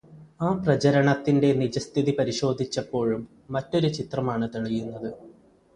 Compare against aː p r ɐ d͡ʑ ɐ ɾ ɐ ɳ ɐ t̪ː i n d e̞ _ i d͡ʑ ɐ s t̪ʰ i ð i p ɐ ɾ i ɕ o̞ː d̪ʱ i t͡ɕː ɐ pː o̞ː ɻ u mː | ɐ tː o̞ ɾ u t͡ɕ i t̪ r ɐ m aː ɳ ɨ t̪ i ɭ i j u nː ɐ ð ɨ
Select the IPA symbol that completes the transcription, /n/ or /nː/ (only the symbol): n